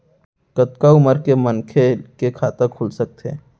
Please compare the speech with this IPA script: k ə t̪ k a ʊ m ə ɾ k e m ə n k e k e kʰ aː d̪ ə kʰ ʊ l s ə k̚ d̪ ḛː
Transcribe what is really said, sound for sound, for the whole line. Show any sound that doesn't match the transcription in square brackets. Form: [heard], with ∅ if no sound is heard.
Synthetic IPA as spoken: k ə t̪ k a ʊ m ə ɾ k e m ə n [kʰ] e k e kʰ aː [t̪] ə kʰ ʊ l s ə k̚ [t̪] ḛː